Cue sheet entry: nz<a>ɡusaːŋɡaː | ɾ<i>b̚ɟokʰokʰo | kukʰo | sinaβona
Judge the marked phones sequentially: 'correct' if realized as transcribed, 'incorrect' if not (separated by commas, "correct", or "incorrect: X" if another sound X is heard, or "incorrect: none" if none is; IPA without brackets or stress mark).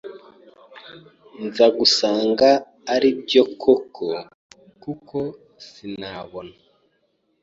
correct, correct